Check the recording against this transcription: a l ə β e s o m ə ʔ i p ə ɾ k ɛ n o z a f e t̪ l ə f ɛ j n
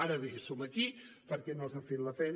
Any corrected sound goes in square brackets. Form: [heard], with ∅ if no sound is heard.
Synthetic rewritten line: a [ɾ] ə β e s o m ə [k] i p ə ɾ k ɛ n o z a f e t̪ l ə f ɛ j n